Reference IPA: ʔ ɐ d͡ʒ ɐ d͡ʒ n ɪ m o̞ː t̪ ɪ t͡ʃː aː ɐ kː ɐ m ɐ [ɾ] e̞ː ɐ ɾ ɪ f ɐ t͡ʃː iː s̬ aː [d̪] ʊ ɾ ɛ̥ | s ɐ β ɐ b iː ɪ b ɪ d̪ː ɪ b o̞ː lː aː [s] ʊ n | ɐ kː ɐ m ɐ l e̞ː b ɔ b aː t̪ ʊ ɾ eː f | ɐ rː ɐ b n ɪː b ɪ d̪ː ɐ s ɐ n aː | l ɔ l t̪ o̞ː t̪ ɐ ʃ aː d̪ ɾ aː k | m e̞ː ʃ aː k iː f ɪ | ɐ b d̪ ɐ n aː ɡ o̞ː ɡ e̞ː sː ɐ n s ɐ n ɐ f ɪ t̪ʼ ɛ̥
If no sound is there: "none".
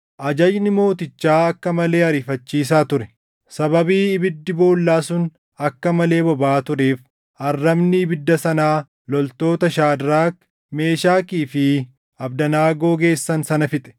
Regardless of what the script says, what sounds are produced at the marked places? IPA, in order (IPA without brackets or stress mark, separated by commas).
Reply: l, t̪, s